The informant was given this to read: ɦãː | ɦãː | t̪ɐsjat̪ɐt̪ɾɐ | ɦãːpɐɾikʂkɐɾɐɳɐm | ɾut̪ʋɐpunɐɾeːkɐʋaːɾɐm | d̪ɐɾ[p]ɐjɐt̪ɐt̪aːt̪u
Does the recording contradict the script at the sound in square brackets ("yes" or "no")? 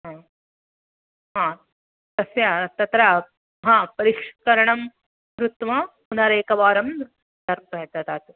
no